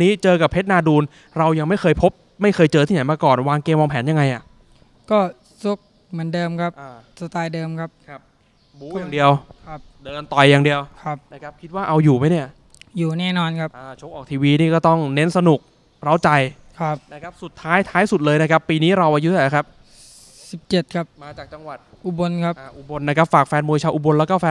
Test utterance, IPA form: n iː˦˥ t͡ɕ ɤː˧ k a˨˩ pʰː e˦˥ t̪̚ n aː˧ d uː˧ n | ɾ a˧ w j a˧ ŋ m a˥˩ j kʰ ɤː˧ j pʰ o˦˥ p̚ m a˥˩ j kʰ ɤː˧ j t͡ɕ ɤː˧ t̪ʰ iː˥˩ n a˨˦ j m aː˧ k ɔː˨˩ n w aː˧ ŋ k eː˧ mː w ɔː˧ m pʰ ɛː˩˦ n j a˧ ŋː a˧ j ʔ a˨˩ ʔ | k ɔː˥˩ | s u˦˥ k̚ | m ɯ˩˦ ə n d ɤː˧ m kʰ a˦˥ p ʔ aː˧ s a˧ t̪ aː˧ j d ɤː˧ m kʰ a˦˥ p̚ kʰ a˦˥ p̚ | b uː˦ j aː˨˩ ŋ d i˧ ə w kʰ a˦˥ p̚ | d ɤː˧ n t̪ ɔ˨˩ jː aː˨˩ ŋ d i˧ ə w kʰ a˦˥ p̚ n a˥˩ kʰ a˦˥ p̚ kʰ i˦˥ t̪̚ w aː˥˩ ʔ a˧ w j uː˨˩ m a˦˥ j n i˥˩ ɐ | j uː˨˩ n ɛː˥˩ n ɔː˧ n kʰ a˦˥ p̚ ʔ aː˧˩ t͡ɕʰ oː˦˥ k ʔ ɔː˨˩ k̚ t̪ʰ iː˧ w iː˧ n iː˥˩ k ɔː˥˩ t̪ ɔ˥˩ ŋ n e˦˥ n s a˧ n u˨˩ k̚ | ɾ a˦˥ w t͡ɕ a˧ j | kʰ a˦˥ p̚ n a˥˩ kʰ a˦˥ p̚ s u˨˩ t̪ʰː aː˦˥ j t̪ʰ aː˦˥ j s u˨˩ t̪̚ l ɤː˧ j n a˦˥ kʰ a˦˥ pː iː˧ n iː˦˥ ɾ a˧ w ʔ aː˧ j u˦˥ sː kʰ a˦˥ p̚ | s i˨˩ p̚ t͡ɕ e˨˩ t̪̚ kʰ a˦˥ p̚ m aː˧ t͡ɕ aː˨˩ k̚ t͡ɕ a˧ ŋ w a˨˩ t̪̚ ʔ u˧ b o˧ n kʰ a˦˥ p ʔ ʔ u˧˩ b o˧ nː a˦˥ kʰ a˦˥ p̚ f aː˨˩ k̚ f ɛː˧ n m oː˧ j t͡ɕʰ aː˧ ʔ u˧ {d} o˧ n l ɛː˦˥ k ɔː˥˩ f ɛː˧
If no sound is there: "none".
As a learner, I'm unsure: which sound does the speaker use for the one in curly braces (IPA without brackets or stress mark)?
b